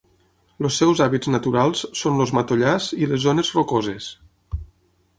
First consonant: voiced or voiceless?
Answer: voiced